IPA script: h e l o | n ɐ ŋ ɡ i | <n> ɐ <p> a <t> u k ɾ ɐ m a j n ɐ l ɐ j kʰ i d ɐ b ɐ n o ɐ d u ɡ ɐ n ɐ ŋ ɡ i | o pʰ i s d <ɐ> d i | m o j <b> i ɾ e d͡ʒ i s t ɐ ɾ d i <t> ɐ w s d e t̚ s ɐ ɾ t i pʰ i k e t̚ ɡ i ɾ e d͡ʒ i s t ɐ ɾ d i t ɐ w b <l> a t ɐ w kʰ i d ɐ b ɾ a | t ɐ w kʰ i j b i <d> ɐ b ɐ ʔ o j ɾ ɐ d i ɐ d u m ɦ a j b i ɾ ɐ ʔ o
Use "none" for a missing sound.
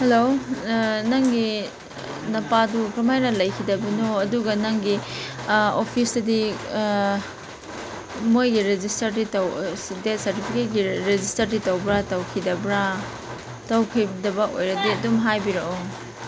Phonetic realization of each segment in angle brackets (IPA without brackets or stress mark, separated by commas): n, p, d, ɐ, ɡ, t, ɾ, d